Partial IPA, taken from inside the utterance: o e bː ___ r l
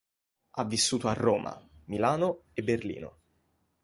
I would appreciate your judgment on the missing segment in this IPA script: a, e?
e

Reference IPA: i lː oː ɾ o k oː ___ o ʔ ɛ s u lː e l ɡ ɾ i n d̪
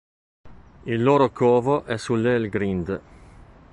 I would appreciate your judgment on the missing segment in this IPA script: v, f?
v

